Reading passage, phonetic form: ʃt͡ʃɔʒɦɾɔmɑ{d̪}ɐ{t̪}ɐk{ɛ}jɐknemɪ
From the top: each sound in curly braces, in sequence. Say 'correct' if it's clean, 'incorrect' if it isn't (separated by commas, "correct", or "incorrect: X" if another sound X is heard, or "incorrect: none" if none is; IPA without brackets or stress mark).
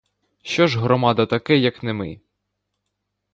correct, correct, correct